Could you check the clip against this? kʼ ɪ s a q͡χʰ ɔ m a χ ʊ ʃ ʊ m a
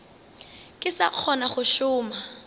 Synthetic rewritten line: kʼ ɪ s a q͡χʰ ɔ n a χ ʊ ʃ ʊː m a